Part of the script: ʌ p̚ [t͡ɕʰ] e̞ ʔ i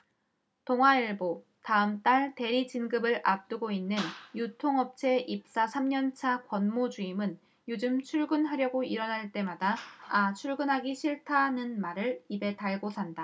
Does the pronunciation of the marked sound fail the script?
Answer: no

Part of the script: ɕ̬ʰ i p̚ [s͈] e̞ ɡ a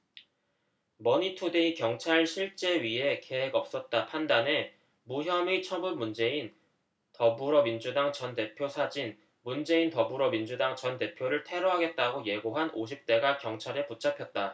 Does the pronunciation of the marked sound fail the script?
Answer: yes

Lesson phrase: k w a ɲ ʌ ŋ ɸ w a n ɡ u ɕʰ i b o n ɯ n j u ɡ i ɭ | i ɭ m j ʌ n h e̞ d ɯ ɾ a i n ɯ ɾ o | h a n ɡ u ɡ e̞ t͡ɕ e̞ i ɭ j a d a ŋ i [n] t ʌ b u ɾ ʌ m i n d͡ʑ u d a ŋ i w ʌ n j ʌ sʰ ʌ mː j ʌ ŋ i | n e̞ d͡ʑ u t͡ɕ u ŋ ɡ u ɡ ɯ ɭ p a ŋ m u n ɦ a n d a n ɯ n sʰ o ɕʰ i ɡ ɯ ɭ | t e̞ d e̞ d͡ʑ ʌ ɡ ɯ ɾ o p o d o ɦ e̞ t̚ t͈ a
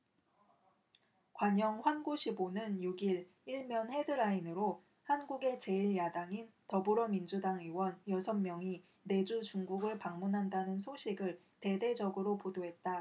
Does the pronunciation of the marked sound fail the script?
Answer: no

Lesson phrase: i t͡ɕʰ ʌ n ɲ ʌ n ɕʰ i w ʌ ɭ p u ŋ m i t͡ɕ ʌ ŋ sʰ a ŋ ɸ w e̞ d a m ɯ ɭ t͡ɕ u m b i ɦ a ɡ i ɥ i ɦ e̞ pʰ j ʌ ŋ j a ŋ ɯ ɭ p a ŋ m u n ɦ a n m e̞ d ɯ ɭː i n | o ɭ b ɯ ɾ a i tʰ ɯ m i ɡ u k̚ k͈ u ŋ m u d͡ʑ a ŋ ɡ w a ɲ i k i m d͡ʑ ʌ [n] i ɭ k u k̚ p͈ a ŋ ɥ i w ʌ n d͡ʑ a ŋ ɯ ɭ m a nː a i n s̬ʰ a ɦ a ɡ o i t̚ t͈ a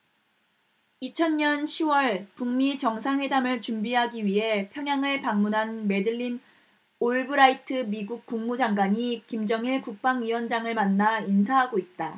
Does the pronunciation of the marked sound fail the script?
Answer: yes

